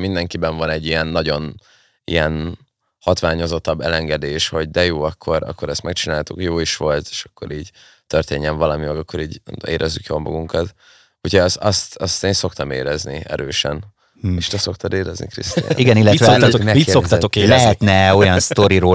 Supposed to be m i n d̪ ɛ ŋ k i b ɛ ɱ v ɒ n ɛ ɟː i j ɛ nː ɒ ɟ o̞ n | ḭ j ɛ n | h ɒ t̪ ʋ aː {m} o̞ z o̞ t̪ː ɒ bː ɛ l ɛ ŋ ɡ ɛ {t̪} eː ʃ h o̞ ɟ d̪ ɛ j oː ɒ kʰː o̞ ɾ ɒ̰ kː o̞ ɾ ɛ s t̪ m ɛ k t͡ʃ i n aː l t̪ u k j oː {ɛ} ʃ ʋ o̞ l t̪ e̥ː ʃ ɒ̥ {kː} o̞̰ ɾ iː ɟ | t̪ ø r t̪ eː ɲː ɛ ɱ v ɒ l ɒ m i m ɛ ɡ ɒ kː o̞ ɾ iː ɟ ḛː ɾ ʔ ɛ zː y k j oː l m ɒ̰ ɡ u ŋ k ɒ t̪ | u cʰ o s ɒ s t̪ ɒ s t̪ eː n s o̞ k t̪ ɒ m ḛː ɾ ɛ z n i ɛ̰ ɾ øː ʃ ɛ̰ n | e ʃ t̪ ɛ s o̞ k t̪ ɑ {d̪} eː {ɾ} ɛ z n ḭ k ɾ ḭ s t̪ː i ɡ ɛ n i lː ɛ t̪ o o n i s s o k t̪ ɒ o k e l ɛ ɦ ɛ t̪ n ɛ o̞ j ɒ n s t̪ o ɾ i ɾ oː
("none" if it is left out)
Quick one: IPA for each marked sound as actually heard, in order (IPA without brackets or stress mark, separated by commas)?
ɲ, d̪, i, kː, d̪, ɾ